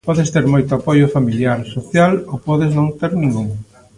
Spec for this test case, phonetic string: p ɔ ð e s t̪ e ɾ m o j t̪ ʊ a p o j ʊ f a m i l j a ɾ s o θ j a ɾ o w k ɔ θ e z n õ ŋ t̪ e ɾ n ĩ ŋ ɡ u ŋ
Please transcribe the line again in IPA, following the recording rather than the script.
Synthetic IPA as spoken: p ɔ ð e s t̪ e ɾ m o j t̪ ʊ a p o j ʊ f a m i l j a ɾ s o θ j a l o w p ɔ ð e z n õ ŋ t̪ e ɾ n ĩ ŋ ɡ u ŋ